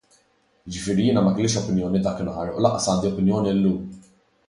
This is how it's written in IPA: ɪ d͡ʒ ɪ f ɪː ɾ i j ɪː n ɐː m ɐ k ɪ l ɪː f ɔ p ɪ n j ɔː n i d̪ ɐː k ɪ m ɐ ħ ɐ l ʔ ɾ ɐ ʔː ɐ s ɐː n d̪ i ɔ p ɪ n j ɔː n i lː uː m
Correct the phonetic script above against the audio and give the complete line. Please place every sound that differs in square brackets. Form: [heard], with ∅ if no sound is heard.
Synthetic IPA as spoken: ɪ d͡ʒ ɪ f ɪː ɾ i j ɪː n [ɐ] m ɐ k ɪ l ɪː [ʃ] ɔ p ɪ n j ɔː n i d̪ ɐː k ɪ [n] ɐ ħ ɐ [ɾ] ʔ [l] ɐ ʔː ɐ s ɐː n d̪ i ɔ p ɪ n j ɔː n i lː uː m